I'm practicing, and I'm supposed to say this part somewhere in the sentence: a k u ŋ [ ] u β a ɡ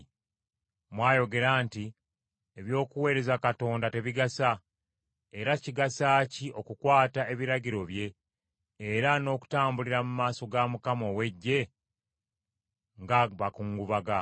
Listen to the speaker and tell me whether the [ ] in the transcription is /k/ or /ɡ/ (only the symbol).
ɡ